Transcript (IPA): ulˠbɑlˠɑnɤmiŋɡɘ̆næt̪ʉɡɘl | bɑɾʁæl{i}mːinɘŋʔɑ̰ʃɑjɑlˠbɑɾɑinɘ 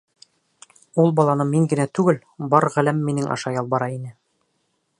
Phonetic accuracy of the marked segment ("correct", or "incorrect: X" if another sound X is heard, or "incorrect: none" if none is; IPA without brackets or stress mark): incorrect: æ